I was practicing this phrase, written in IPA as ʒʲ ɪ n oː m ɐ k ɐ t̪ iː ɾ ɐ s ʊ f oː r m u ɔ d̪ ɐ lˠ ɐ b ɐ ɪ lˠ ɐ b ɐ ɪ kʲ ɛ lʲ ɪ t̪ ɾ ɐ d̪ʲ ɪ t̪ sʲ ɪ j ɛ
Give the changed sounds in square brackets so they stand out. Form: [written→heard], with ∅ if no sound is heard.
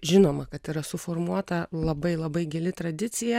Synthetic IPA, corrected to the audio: ʒʲ ɪ n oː m ɐ k ɐ t̪ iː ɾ ɐ s ʊ f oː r m u ɔ [d̪→t̪] ɐ lˠ ɐ b ɐ ɪ lˠ ɐ b ɐ ɪ [kʲ→ɡʲ] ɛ lʲ ɪ t̪ ɾ ɐ d̪ʲ ɪ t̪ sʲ ɪ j ɛ